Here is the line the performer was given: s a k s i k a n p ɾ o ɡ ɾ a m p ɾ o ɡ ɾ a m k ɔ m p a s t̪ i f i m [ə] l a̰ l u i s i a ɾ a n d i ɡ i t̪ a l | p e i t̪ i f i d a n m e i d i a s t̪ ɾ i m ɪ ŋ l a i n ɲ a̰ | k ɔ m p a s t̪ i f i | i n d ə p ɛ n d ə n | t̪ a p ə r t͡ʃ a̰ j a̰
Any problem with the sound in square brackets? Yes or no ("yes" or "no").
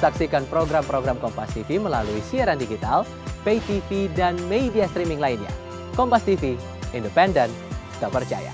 no